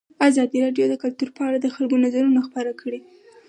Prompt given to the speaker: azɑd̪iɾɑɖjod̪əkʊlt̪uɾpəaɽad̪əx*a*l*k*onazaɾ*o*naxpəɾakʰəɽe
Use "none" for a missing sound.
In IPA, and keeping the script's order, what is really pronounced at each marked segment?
a, ɡ, u

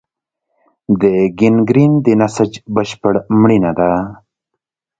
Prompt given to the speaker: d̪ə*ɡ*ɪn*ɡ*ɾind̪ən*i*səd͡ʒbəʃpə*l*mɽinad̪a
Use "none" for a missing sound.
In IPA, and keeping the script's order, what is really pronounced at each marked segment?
ɡ, ɡ, a, ɽ

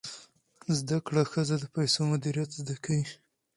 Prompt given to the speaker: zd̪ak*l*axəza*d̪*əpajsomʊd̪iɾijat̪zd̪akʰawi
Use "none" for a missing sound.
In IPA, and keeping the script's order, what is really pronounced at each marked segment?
ɽ, d̪

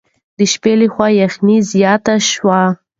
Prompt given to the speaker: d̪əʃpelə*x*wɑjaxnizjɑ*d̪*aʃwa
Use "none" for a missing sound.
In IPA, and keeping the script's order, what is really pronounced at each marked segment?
x, t̪

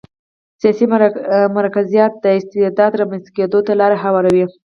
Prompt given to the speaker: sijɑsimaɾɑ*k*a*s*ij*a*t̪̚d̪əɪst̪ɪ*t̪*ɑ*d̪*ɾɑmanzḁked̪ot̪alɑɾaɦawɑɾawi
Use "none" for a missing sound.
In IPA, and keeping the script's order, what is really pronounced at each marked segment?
k, z, ɑ, d̪, d̪

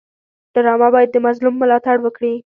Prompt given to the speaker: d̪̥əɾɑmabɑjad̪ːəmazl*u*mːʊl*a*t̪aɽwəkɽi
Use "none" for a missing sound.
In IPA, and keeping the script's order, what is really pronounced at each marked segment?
u, ɑ

